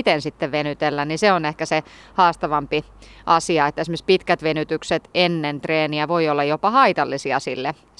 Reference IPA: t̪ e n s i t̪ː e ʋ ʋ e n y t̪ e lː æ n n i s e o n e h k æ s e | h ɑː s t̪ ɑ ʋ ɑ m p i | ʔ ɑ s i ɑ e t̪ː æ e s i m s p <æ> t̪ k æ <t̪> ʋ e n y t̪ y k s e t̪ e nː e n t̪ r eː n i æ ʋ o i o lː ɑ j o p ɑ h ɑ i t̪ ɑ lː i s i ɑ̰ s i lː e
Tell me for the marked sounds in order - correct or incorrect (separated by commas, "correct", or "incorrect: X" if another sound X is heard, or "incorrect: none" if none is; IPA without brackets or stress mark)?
incorrect: i, correct